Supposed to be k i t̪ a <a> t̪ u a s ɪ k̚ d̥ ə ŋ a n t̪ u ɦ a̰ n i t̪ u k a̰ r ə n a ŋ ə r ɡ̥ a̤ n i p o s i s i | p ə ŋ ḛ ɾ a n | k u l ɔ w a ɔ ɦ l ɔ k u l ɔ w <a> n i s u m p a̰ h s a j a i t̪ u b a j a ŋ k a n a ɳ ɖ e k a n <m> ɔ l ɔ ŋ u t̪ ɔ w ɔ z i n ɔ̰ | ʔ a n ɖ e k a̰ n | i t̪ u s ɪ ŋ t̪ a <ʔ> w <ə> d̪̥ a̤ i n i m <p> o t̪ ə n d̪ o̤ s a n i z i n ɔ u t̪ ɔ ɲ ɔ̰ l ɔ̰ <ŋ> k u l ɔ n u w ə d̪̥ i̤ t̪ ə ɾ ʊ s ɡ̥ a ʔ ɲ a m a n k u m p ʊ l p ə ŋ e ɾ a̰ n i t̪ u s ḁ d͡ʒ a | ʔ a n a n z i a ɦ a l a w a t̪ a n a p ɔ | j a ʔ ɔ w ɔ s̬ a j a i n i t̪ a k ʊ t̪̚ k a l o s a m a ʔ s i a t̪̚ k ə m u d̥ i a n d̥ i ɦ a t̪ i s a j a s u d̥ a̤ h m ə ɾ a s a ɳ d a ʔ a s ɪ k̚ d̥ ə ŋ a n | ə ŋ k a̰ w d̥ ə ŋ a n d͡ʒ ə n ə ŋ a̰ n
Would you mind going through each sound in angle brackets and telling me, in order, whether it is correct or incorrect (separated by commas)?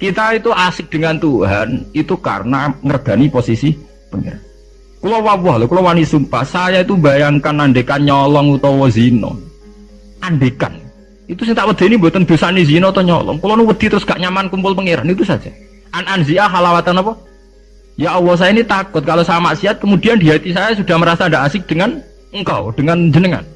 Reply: incorrect, correct, incorrect, correct, correct, incorrect, correct